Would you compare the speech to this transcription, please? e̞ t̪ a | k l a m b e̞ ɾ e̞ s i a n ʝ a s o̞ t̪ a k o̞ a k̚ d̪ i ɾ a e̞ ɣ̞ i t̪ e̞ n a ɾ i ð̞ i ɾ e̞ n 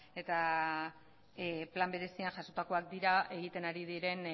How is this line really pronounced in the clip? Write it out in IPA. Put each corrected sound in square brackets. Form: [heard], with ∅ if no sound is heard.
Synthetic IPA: e̞ t̪ a | [p] l a m b e̞ ɾ e̞ s i a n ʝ a s o̞ t̪ a k o̞ a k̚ d̪ i ɾ a e̞ ɣ̞ i t̪ e̞ n a ɾ i ð̞ i ɾ e̞ n